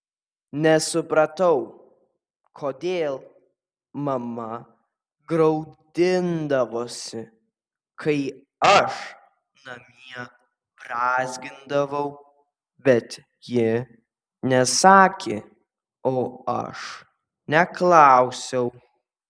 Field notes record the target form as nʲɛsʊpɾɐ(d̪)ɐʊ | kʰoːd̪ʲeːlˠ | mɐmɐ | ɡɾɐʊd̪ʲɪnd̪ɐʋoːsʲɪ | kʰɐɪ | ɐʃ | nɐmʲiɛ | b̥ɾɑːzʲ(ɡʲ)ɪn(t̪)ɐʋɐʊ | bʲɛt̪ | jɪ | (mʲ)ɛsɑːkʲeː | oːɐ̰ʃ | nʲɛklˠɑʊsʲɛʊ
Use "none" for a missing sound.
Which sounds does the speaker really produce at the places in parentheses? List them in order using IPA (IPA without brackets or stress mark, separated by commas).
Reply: t̪, ɡʲ, d̪, nʲ